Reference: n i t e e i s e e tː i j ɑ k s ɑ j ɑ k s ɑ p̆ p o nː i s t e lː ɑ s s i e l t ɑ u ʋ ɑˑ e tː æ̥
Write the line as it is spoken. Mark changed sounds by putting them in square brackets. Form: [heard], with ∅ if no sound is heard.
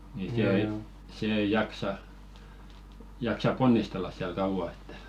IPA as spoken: n i [s] e e i s e e [∅] i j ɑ k s ɑ j ɑ k s ɑ p̆ p o nː i s t e lː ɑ s s i [æ] l [k] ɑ u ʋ ɑˑ e tː æ̥

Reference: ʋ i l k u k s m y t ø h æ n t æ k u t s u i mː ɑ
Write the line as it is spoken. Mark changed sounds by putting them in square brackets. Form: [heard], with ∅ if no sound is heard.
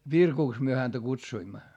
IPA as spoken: ʋ i [r] k u k s m y [∅] ø h æ n t æ k u t s u i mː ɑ

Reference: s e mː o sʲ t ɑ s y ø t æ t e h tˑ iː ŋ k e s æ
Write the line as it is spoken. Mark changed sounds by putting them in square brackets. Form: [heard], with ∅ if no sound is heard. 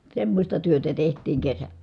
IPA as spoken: s e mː o sʲ t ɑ [t] y ø t æ t e h tˑ iː ŋ k e s æ

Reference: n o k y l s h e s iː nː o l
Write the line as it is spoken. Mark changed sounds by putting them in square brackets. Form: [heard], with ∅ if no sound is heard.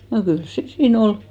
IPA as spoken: n o k y l s [s] e s iː [n] o l

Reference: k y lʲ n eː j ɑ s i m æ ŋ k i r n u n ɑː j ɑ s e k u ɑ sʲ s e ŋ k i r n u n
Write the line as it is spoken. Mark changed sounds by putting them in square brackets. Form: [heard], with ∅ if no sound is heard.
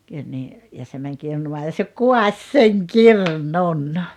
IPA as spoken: k y lʲ n [iː] j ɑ s [e] m æ ŋ k i r n u [m] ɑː j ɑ s e k u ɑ sʲ s e ŋ k i r n u n

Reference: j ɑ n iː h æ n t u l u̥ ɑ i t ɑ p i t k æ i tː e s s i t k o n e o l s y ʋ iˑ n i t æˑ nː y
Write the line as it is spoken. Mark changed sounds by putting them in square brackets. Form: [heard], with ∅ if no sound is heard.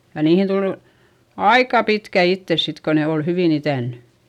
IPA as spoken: j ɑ n iː h [i] n t u l u̥ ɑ i [k] ɑ p i t k æ i tː e s s i t k o n e o l [h] y ʋ iˑ n i t æˑ nː y

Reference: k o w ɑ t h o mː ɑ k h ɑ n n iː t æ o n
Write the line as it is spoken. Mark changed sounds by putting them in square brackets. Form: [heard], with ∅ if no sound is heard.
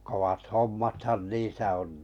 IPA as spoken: k o w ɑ t h o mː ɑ [t] h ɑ n n iː [s] æ o n

